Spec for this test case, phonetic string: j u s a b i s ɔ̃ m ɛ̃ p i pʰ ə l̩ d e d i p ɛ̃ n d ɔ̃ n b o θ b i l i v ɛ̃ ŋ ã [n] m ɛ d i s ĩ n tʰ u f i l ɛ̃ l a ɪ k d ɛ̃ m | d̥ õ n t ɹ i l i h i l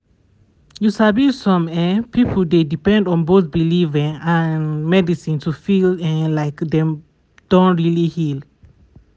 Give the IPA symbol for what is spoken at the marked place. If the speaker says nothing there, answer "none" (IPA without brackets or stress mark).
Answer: n